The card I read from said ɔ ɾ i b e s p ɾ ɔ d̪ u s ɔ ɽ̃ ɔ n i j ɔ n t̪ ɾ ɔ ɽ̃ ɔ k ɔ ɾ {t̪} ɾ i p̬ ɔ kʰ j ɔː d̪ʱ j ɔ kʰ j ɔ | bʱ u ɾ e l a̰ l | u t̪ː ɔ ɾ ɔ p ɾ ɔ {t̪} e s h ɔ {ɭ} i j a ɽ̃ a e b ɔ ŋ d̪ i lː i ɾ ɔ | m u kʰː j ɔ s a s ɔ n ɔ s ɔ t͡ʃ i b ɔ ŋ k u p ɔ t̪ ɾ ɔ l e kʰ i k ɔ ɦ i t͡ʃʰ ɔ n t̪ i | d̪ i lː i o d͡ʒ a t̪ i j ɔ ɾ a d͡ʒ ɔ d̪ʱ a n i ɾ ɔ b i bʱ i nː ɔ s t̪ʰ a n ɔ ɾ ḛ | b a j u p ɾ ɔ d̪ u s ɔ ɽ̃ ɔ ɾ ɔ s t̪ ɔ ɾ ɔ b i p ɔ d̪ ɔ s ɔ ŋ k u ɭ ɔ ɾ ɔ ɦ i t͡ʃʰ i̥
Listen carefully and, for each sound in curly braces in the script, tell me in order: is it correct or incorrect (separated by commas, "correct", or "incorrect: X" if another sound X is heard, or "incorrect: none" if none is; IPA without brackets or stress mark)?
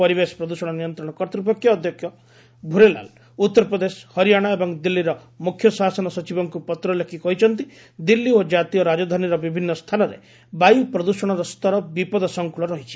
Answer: correct, incorrect: d̪, incorrect: ɾ